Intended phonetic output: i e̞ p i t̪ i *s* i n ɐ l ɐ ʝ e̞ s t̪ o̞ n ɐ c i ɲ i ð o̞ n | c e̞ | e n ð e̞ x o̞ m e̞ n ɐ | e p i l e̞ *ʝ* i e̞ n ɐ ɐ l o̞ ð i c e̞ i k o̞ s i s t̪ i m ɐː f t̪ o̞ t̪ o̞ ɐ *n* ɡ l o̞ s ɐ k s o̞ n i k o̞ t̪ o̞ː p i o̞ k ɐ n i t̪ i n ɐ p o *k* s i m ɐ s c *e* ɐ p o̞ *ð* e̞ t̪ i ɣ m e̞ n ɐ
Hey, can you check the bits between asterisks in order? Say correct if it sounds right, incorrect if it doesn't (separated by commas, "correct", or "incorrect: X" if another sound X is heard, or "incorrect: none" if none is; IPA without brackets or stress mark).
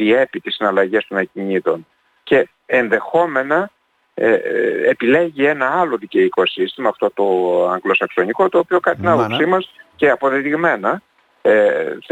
correct, correct, incorrect: ŋ, incorrect: p, correct, correct